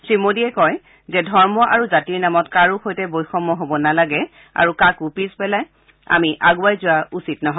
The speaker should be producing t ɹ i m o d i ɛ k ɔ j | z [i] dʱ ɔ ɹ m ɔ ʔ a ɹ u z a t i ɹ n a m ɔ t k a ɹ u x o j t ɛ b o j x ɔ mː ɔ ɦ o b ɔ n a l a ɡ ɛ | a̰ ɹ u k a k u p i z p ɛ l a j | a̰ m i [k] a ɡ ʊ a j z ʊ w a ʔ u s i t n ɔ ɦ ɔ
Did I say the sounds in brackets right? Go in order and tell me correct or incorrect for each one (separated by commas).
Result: incorrect, incorrect